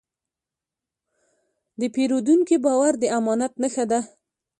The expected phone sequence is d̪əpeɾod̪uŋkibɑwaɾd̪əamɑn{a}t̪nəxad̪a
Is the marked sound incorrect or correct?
correct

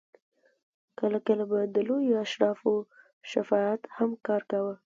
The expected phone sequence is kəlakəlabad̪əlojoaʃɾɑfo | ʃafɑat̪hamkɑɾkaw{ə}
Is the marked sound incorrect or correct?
correct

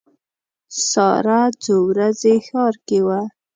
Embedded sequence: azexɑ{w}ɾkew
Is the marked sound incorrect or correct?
incorrect: none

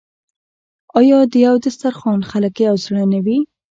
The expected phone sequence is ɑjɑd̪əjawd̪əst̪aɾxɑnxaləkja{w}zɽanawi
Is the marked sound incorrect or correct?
correct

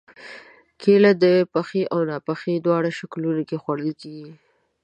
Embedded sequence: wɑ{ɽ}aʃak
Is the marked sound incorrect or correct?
correct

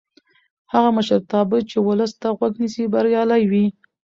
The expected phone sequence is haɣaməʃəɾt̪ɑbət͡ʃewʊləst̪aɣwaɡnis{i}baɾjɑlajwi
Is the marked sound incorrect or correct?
correct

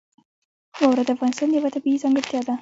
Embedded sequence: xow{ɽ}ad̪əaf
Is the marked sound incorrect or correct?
incorrect: ɾ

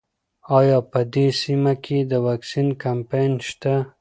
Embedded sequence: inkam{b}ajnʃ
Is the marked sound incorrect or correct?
incorrect: p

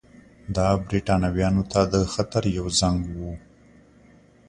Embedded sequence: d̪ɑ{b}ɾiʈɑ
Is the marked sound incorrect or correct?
correct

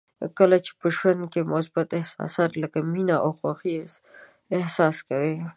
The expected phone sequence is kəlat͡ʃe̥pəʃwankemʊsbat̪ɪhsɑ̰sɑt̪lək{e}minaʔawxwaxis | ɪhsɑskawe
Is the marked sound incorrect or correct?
incorrect: a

